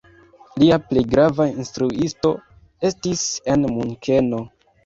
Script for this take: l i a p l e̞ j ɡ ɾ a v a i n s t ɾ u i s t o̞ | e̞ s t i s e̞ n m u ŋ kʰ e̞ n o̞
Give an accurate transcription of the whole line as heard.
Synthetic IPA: l i a p l e̞ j ɡ ɾ a v a i n s t ɾ u i s t o̞ | e̞ s t i s e̞ n m u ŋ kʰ e̞ n o̞